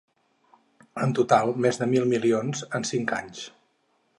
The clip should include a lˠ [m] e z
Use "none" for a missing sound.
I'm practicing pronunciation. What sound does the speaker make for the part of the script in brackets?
m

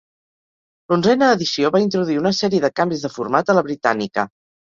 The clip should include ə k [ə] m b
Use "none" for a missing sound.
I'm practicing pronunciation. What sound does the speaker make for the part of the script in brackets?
a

